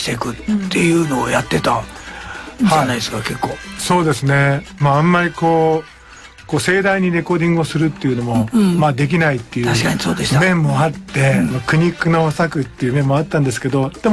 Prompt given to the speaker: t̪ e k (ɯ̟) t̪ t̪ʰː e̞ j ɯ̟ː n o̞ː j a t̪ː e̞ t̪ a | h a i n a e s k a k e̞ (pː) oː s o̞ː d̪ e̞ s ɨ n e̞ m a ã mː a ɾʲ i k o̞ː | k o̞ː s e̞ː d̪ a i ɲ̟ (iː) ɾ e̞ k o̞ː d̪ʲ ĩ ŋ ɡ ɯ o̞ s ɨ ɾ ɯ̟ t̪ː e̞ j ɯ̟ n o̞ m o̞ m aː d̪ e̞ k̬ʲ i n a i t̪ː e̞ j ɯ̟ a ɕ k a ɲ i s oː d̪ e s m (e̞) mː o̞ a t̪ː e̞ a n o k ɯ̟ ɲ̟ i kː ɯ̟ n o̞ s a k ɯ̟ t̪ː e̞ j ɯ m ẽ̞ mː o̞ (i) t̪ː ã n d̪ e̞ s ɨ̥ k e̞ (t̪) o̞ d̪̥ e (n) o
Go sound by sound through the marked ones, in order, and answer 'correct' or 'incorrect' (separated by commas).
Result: correct, incorrect, incorrect, incorrect, incorrect, incorrect, incorrect